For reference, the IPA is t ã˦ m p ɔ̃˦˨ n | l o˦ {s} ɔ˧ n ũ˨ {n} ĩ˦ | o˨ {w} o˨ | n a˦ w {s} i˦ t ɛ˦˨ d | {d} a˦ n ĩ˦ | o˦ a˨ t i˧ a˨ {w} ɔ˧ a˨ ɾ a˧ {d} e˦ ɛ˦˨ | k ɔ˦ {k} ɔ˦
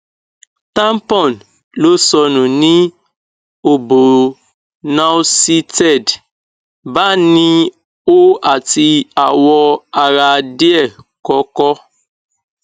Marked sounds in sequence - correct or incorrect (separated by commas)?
correct, correct, incorrect, correct, incorrect, correct, correct, correct